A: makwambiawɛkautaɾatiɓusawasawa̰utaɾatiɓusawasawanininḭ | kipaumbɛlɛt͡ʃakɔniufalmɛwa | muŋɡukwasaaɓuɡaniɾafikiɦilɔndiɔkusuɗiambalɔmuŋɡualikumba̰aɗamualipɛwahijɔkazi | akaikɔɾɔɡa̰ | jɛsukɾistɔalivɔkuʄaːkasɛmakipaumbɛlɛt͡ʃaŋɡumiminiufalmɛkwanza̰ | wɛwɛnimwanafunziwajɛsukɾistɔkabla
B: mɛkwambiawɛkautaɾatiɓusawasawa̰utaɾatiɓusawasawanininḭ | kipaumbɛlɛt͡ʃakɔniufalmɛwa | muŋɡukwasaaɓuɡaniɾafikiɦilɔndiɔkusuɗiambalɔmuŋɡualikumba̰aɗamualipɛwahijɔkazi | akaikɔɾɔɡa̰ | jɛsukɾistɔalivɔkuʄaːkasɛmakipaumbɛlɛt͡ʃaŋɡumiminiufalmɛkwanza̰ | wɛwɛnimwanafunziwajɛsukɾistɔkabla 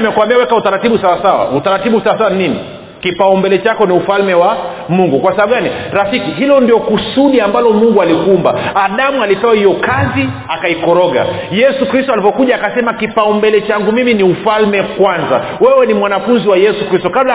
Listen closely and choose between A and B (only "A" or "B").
B